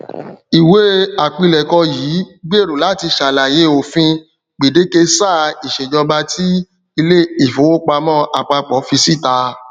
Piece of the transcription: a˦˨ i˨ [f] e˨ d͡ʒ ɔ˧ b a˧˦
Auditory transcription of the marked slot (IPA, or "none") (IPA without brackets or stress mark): ʃ